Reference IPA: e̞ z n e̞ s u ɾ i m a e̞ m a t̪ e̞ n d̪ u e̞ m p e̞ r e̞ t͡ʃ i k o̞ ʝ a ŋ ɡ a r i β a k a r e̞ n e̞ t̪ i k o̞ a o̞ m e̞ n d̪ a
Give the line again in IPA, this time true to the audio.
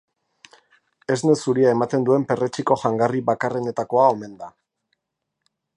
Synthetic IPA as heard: e̞ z n e̞ s u ɾ i a e̞ m a t̪ e̞ n d̪ u e̞ m p e̞ r e̞ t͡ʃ i k o̞ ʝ a ŋ ɡ a r i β a k a r e̞ n e̞ t̪ a k o̞ a o̞ m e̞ n d̪ a